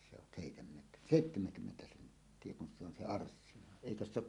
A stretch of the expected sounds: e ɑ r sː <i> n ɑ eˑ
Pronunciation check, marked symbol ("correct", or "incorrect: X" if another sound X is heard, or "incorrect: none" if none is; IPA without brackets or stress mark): correct